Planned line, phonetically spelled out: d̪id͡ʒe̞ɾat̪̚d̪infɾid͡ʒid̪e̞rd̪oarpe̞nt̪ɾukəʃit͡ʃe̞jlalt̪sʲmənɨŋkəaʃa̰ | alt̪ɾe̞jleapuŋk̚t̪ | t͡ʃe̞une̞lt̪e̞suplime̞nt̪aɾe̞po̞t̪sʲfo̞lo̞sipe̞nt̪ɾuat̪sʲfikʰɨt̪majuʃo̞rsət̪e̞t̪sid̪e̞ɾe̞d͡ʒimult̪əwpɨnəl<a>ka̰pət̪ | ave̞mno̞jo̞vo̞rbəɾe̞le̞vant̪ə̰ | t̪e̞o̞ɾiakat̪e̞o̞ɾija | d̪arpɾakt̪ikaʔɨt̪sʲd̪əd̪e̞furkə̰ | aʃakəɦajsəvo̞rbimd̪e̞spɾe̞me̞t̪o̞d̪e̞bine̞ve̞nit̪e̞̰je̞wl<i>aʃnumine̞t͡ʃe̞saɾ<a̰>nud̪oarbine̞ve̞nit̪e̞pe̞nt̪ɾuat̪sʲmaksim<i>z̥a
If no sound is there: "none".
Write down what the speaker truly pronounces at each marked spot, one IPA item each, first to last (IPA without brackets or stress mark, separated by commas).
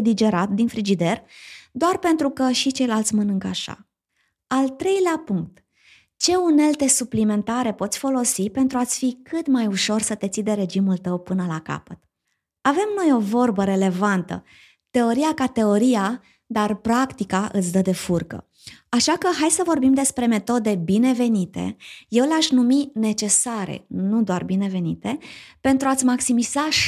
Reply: a, e, ḛ, i